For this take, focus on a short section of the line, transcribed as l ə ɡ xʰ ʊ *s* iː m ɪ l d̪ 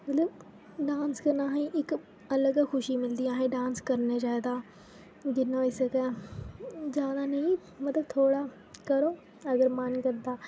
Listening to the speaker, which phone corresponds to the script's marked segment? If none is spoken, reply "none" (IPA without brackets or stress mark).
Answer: ʃ